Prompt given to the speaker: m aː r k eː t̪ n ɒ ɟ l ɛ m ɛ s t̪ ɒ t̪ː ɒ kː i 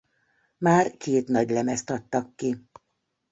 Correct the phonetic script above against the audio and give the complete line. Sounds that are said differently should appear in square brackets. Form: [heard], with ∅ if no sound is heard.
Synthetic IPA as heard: m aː r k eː t̪ n ɒ ɟ l ɛ m ɛ s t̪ ɒ t̪ː ɒ kː i